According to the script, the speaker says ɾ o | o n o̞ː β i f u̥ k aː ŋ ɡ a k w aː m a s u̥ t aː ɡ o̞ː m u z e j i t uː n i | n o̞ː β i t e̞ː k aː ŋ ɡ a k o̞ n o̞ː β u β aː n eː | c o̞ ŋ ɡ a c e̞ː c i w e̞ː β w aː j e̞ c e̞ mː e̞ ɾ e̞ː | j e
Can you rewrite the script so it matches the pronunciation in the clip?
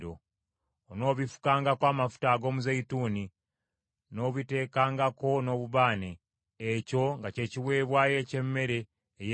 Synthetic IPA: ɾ o | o n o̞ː β i f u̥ k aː ŋ ɡ a k w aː m a f u̥ t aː ɡ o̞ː m u z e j i t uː n i | n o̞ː β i t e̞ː k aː ŋ ɡ a k o̞ n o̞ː β u β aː n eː | c o̞ ŋ ɡ a c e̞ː c i w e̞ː β w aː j e̞ c e̞ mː e̞ ɾ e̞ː | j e